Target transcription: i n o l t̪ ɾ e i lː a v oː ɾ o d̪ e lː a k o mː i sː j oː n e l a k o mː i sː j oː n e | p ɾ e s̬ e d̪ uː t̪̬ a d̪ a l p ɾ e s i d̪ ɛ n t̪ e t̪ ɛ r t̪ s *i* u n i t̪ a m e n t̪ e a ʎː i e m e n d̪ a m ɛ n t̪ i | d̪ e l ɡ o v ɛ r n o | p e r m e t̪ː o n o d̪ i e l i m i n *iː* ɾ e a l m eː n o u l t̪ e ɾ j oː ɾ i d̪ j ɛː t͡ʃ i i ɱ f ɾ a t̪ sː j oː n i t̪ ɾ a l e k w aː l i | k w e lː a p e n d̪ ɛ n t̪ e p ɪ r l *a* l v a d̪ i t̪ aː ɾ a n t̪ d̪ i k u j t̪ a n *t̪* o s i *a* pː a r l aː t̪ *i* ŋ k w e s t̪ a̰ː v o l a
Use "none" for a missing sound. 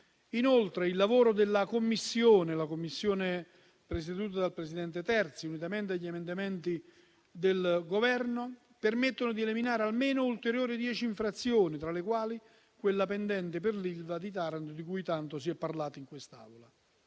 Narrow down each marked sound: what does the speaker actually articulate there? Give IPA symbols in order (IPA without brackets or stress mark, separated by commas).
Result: i, aː, i, t̪, ɛ, i